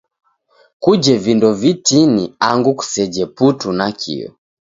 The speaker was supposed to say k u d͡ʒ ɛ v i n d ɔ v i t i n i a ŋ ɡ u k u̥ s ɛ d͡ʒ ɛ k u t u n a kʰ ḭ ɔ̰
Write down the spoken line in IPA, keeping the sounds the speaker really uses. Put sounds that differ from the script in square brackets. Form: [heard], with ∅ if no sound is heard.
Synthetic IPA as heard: k u d͡ʒ ɛ v i n d ɔ v i t i n i a ŋ ɡ u k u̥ s ɛ d͡ʒ ɛ [p] u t u n a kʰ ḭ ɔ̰